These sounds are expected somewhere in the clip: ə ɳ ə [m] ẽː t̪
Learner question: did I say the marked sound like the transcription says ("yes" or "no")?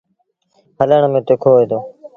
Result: yes